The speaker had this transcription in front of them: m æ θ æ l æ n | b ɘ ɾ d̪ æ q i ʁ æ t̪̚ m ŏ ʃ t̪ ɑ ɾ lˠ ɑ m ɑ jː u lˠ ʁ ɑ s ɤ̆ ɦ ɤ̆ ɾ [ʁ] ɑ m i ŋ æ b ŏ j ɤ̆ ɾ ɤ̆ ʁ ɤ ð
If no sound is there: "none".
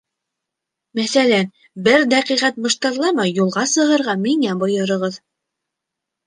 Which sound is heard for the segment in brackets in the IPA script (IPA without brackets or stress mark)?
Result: ʁ